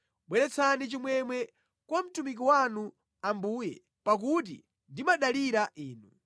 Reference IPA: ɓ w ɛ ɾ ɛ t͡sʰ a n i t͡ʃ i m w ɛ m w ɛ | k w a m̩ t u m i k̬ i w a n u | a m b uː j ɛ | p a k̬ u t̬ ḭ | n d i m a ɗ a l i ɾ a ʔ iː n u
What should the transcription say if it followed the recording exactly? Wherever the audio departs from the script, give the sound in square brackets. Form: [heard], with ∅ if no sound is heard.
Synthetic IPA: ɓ w ɛ ɾ ɛ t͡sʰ a n i t͡ʃ i m w ɛ m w ɛ | k w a m̩ t u m i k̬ i w a n u | a m b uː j ɛ | p a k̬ u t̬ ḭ | n d i m a ɗ a l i ɾ a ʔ iː n u